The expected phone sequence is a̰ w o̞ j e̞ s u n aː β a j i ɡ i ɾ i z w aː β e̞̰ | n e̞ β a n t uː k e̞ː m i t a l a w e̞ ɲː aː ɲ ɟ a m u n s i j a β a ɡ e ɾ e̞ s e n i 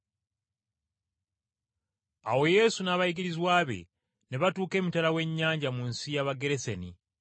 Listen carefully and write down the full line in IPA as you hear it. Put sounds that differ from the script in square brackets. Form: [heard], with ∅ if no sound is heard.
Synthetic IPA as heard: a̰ w o̞ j e̞ s u n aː β a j i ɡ i ɾ i z w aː β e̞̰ | n e̞ β a [∅] t uː k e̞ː m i t a l a w e̞ ɲː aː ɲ ɟ a m u n s i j a β a ɡ e ɾ e̞ s e n i